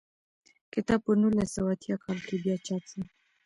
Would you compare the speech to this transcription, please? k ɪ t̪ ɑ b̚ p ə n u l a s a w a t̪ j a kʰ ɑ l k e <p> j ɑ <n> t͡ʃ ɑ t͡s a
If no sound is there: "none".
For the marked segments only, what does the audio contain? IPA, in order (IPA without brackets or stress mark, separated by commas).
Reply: b, none